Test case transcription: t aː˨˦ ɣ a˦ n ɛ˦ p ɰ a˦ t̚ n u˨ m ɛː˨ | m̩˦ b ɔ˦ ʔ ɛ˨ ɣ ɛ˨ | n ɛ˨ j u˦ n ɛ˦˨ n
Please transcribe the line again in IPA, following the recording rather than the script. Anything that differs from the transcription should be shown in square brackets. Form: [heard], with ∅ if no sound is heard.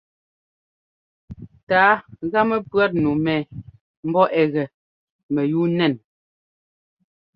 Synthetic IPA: t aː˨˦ ɣ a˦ [m] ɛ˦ p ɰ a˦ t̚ n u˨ m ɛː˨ | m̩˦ b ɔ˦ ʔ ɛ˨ ɣ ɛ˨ | [m] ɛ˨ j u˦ n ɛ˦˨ n